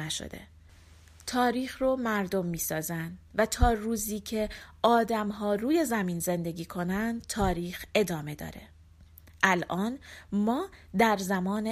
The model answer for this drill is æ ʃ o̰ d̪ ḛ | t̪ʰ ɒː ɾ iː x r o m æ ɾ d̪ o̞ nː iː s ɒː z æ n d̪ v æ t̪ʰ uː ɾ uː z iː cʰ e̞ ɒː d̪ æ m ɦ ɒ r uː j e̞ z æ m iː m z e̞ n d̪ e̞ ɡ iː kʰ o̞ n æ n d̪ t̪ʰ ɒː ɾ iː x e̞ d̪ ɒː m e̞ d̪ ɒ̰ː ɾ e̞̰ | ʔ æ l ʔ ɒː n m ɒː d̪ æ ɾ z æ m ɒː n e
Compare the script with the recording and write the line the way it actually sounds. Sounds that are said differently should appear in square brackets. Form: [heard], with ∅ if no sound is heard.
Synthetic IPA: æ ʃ o̰ d̪ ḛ | t̪ʰ ɒː ɾ iː x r o m æ ɾ d̪ o̞ [mː] iː s ɒː z æ n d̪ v æ t̪ʰ [ɒː] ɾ uː z iː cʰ e̞ ɒː d̪ æ m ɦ [ɒː] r uː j e̞ z æ m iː [n] z e̞ n d̪ e̞ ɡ iː kʰ o̞ n æ n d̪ t̪ʰ ɒː ɾ iː x e̞ d̪ ɒː m e̞ d̪ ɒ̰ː ɾ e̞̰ | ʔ æ l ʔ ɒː n m ɒː d̪ æ ɾ z æ m ɒː n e